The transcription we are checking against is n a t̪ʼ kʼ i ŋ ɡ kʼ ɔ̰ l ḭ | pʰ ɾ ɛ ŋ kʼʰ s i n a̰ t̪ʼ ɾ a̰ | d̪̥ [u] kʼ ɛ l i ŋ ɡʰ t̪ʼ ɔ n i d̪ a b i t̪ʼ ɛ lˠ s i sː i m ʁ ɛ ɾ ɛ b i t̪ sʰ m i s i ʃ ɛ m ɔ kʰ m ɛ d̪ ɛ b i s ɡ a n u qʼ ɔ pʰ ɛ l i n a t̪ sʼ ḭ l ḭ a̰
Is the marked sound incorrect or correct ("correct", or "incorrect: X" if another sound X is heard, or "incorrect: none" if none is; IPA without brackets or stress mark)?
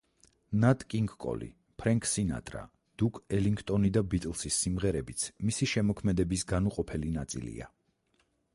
correct